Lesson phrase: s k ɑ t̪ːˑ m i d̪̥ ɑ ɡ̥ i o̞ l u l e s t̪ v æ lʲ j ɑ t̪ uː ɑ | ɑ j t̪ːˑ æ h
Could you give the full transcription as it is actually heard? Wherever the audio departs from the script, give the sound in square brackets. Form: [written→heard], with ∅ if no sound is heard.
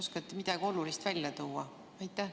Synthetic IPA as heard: s k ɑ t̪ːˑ m i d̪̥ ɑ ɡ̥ i o̞ l u l [e→i] s t̪ v æ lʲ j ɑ t̪ uː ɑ | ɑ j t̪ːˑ æ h